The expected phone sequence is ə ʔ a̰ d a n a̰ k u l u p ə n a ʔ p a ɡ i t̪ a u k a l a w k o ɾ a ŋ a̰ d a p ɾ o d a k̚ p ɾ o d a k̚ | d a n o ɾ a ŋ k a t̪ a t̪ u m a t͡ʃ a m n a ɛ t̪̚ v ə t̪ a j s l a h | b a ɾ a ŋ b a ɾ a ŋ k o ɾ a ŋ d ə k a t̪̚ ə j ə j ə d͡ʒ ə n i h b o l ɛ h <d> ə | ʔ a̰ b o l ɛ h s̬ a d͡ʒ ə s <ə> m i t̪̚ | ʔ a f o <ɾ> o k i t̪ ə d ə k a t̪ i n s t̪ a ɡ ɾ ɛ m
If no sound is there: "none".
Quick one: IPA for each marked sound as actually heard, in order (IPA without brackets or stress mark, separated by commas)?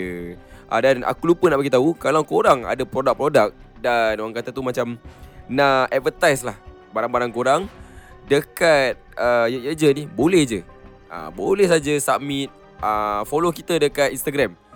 d͡ʒ, a, l